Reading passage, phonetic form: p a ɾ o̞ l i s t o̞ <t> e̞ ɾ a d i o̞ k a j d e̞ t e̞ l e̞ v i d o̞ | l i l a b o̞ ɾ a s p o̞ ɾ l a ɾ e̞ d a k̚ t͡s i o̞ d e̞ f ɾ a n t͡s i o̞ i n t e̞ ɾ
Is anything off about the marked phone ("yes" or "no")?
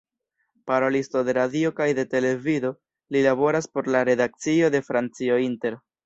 yes